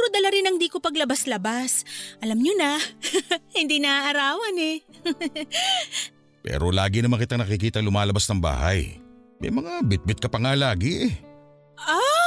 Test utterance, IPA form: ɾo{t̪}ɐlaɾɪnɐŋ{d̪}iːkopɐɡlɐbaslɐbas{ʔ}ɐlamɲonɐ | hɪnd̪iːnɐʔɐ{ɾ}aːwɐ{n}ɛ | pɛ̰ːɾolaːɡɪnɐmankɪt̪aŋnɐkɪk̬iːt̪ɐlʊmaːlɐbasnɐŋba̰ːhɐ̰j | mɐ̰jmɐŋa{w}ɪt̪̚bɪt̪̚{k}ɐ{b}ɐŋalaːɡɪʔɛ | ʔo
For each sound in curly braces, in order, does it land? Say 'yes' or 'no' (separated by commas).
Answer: no, yes, yes, yes, yes, no, yes, no